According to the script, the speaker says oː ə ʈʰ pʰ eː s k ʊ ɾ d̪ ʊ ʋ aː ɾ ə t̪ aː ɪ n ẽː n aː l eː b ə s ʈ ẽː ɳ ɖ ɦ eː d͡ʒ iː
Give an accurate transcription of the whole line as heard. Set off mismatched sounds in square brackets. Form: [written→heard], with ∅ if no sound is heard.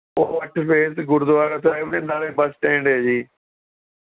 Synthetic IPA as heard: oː ə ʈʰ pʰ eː s [k→ɡ] ʊ ɾ d̪ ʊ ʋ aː ɾ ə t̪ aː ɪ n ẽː n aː l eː b ə s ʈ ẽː ɳ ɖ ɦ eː d͡ʒ iː